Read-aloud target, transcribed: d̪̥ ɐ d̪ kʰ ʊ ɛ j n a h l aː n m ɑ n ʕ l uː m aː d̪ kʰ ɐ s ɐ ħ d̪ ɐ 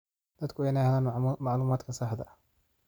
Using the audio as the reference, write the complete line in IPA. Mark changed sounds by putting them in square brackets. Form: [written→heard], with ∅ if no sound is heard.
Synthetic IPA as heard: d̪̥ ɐ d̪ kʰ ʊ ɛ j n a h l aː n m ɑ [n→∅] ʕ l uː m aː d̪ kʰ ɐ s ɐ ħ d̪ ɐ